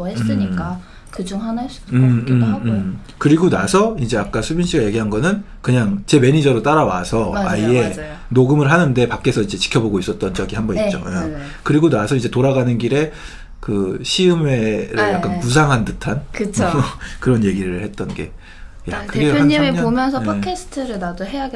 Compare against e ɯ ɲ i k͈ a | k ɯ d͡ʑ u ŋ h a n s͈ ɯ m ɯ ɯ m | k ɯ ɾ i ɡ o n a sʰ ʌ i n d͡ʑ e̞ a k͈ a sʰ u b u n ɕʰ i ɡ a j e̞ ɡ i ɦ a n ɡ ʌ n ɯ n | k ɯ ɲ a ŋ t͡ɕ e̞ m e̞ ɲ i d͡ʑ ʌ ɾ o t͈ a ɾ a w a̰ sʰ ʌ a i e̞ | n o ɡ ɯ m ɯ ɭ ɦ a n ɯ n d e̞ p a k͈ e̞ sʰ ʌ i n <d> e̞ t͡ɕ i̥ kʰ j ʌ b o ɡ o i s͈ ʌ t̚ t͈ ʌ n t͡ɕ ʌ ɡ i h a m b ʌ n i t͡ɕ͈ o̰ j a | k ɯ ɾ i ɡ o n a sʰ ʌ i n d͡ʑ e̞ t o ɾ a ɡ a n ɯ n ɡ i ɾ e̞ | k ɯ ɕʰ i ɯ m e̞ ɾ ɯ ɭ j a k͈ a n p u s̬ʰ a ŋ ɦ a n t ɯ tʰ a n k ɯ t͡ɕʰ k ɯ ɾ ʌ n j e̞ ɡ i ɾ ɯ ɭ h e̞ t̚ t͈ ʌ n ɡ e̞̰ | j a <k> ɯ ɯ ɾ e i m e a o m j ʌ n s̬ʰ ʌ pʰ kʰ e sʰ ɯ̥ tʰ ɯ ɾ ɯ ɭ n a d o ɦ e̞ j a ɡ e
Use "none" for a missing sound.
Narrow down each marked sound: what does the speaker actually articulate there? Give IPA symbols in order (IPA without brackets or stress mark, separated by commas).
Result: d͡ʑ, k